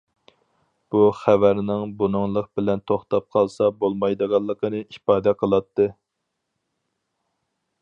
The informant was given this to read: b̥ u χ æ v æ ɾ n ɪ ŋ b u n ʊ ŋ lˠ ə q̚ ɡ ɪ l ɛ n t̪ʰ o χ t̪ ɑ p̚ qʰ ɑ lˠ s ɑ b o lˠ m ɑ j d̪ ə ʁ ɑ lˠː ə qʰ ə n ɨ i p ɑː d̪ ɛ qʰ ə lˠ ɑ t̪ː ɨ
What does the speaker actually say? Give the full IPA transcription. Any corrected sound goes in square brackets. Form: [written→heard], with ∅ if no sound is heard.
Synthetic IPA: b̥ u χ æ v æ ɾ n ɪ ŋ b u n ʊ ŋ lˠ ə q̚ [ɡ→b] ɪ l ɛ n t̪ʰ o χ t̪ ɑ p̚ qʰ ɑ lˠ s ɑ b o lˠ m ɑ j d̪ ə ʁ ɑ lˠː ə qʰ ə n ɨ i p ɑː d̪ ɛ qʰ ə lˠ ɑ t̪ː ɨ